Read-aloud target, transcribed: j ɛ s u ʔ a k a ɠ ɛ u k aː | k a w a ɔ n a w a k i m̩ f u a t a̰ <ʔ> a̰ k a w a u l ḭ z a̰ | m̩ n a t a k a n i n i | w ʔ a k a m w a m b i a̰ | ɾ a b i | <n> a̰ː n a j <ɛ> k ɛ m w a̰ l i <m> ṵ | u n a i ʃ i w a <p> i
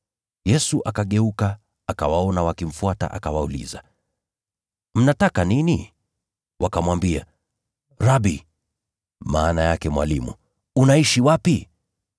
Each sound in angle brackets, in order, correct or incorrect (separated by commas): correct, incorrect, incorrect, correct, correct